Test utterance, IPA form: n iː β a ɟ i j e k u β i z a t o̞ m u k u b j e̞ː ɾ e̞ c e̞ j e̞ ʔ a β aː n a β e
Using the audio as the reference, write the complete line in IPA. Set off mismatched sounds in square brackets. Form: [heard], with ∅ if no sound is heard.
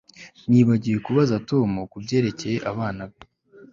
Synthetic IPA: n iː β a ɟ i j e k u β [a] z a t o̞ m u k u b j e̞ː ɾ e̞ c e̞ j e̞ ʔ a β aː n a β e